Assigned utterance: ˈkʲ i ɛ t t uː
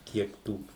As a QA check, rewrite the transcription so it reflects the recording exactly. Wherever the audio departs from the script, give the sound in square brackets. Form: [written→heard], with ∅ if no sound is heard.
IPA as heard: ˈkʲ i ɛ [t→k] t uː